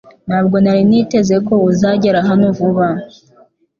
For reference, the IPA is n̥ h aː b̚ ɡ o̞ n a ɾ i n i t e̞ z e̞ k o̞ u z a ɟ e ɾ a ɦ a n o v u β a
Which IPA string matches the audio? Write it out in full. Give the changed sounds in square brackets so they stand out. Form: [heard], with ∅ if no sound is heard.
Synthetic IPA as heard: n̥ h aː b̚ ɡ o̞ n a ɾ i n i t e̞ z e̞ k o̞ u z a ɟ e ɾ a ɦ a n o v u β a